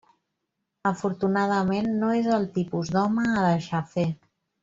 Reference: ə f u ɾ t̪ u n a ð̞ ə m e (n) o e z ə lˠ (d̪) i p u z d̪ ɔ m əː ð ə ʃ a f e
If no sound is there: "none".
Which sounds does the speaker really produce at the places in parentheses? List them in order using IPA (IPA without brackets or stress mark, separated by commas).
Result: nː, t̪